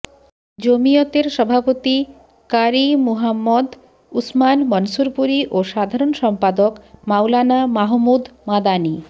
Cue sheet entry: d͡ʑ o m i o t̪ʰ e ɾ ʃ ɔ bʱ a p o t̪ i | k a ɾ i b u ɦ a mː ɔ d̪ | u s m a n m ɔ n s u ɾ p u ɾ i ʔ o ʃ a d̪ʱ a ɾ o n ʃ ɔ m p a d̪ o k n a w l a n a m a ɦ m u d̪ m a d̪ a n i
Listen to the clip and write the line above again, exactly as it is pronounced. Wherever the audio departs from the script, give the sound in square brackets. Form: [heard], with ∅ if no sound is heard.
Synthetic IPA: d͡ʑ o m i o [t̪] e ɾ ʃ ɔ bʱ a p o t̪ i | k a ɾ i [m] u ɦ a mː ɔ d̪ | u s m a n m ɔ n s u ɾ p u ɾ i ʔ o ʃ a d̪ʱ a ɾ o n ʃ ɔ m p a d̪ o k [m] a w l a n a m a ɦ m u d̪ m a d̪ a n i